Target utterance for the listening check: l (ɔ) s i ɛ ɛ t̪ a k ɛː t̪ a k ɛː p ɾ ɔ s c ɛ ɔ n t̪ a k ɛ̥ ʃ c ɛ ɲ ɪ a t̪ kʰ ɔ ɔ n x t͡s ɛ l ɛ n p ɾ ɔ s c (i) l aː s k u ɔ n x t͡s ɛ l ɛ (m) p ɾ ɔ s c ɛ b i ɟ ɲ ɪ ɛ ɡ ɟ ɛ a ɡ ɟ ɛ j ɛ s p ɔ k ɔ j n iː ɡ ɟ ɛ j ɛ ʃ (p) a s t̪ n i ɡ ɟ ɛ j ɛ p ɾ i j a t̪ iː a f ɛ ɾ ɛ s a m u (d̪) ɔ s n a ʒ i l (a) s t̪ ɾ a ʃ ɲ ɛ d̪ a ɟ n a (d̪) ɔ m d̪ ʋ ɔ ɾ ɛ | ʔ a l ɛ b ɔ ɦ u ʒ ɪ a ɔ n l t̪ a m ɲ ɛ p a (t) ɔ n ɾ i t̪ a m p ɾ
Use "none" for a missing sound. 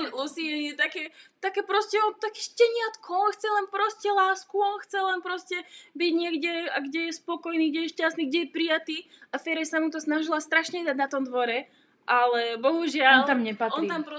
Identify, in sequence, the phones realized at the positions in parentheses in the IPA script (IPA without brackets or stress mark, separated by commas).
u, ɛ, n, c, t̪, a, t̪, t